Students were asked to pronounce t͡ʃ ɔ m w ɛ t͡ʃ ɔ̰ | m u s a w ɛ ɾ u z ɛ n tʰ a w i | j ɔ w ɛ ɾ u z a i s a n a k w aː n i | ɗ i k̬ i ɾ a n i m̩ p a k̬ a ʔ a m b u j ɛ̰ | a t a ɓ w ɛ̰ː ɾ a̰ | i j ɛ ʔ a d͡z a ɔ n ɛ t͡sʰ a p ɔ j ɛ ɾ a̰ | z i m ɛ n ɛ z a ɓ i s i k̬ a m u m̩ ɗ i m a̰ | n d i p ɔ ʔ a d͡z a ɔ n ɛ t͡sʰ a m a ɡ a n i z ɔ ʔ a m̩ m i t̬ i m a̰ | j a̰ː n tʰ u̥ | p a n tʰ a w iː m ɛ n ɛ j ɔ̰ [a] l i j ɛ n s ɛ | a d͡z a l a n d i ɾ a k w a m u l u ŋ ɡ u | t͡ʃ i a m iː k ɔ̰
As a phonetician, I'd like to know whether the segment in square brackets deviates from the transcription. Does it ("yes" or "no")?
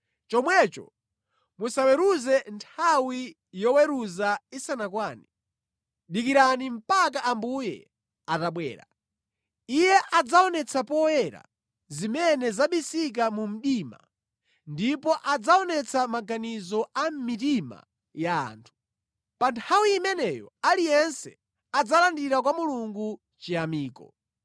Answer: no